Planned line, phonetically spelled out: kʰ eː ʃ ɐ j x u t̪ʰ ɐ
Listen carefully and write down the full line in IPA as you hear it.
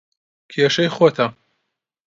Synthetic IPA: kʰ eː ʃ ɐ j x o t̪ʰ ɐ

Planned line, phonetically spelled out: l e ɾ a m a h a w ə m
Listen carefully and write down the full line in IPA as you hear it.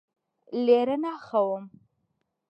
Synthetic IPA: l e ɾ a n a x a w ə m

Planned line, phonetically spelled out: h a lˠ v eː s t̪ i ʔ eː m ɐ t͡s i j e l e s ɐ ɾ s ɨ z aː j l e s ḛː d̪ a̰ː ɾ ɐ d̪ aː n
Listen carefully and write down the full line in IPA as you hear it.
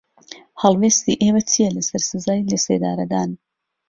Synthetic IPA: h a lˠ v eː s t̪ i ʔ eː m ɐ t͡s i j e l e s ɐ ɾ s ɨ z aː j l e s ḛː d̪ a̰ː ɾ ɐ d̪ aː n

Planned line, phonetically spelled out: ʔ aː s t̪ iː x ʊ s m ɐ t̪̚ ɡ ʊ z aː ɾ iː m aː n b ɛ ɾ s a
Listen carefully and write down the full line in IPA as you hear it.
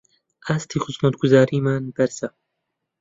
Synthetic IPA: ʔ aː s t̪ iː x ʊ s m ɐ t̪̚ ɡ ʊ z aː ɾ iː m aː n b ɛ ɾ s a

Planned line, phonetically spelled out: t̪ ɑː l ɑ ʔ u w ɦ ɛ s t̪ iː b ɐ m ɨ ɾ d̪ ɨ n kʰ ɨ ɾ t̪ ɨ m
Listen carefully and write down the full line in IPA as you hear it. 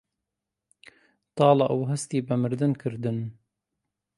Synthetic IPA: t̪ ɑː l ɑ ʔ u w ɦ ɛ s t̪ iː b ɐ m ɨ ɾ d̪ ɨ n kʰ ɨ ɾ d̪ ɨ n

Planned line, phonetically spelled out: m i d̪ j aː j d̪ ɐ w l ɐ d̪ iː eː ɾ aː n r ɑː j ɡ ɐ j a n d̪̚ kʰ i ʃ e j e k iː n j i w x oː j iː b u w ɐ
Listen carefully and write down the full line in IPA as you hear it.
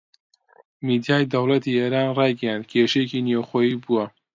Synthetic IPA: m i d̪ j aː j d̪ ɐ w l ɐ t̪ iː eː ɾ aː n r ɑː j ɡ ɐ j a n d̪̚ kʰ e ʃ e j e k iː n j e w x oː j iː b u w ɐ

